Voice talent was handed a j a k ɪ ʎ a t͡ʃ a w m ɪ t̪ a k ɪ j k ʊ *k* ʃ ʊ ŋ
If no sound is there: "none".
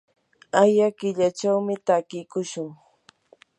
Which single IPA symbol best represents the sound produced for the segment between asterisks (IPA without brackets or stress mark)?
none